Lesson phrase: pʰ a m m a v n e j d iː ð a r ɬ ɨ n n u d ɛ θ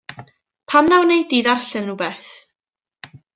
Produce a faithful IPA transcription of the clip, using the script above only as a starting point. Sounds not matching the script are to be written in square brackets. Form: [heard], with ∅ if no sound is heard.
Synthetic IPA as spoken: pʰ a m [n] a [w] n e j d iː ð a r ɬ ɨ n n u [b] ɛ θ